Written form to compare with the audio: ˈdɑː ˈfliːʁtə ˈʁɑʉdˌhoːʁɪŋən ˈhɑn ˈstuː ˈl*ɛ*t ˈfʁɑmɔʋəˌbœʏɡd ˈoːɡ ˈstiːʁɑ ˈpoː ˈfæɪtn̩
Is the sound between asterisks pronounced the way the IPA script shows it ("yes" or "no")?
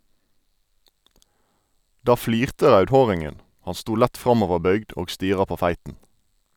no